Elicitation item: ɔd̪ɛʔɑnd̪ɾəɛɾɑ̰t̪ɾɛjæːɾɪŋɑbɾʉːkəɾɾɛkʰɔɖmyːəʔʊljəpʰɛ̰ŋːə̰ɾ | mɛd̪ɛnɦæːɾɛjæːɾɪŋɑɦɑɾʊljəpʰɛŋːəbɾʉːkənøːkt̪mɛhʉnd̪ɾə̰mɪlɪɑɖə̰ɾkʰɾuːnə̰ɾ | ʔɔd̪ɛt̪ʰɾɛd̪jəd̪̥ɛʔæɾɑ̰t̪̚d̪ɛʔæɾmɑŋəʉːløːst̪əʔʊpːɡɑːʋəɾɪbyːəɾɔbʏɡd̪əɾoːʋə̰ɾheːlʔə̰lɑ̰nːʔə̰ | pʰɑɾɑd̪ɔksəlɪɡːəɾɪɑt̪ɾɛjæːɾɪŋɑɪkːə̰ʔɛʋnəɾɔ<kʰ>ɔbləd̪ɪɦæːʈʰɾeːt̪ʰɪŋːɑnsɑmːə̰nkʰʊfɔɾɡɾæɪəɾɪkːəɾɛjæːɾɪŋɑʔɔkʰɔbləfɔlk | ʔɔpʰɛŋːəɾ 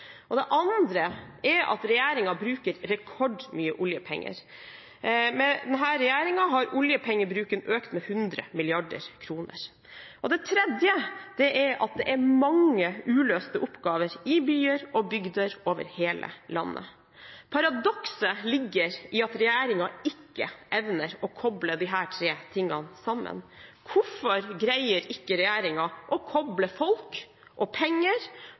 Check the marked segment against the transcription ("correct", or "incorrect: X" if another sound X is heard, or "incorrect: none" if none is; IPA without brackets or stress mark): correct